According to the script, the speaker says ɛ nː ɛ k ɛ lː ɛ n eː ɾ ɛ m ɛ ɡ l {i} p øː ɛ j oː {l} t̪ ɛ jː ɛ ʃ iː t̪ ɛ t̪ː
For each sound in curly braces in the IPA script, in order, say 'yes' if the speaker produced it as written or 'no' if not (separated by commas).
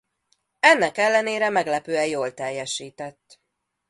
no, yes